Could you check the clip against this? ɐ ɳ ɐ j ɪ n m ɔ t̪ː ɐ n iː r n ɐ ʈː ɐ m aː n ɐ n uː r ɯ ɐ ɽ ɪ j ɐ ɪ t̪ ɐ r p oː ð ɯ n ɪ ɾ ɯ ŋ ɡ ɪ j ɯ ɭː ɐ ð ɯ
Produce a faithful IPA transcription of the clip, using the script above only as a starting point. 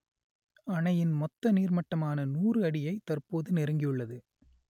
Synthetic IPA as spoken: ɐ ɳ ɐ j ɪ n m ɔ t̪ː ɐ n iː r m ɐ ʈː ɐ m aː n ɐ n uː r ɯ ɐ ɽ ɪ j ɐ ɪ t̪ ɐ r p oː ð ɯ n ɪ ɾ ɯ ŋ ɡ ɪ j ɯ ɭː ɐ ð ɯ